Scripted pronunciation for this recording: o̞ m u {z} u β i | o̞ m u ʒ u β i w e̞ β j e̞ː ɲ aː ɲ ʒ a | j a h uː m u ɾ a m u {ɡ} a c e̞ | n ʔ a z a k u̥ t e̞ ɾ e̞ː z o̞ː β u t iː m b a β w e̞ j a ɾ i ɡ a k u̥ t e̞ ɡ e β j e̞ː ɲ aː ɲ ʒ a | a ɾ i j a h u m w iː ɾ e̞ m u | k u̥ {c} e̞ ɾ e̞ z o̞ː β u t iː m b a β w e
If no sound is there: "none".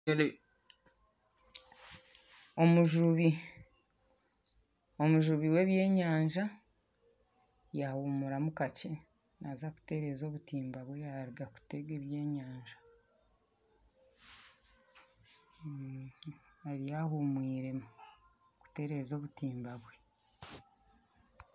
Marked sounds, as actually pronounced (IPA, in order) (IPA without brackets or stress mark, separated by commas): ʒ, k, t